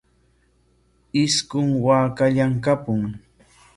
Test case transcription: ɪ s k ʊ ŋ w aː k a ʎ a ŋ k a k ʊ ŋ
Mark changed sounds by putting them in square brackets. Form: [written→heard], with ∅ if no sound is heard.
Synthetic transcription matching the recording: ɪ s k ʊ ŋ w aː k a ʎ a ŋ k a [k→p] ʊ ŋ